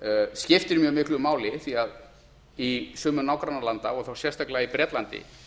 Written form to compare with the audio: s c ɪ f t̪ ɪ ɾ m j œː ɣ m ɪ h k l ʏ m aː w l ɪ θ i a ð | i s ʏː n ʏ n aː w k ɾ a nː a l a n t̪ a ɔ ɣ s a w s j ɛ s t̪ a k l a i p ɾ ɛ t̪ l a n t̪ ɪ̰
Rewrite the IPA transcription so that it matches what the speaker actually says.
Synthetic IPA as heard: s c ɪ f t̪ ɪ ɾ m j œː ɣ m ɪ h k l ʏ m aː w l ɪ θ i a ð | i s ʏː m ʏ n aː w k ɾ a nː a l a n t̪ a ɔ ɣ θ a w s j ɛ s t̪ a k l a i p ɾ ɛ t̪ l a n t̪ ɪ̰

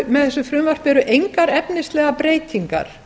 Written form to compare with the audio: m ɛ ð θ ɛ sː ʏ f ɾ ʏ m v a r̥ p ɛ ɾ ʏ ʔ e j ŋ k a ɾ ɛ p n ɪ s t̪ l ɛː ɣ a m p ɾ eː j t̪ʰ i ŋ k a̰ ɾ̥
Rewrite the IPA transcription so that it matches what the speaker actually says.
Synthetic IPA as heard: m ɛ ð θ ɛ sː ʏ f ɾ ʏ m v a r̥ p ɛ ɾ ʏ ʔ e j ŋ k a ɾ ɛ p n ɪ s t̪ l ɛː ɣ a p ɾ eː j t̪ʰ i ŋ k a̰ ɾ̥

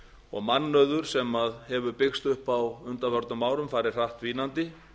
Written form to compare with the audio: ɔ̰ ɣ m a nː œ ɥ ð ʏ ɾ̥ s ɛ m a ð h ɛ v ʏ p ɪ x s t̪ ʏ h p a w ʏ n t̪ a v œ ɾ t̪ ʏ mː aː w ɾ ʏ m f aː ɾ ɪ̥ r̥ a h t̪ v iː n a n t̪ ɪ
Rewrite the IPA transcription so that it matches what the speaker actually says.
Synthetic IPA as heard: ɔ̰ ɣ m a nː œ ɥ ð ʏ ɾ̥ s ɛ m a ð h ɛ v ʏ p ɪ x s t̪ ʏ h p a w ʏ n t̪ a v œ ɾ t̪ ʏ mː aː w ɾ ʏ m f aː ɾ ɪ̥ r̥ a h t̪ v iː n a n t̪ ɪ

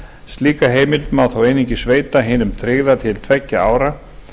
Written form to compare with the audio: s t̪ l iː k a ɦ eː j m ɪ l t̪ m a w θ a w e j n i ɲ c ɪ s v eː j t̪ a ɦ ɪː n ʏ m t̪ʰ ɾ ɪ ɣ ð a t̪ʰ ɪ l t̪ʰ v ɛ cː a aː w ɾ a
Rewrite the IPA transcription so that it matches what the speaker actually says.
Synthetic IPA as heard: s t̪ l iː k a ɦ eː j m ɪ l t̪ m a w θ a w e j n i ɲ c ɪ s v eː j t̪ a ɦ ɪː n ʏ m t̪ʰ ɾ ɪ ɣ ð a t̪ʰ ɪ l t̪ʰ v ɛ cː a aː w ɾ a

